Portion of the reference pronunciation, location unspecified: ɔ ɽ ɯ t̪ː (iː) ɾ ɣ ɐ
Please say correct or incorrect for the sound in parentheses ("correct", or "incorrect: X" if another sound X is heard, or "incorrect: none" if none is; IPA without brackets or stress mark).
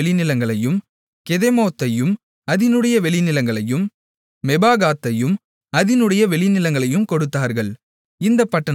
incorrect: aː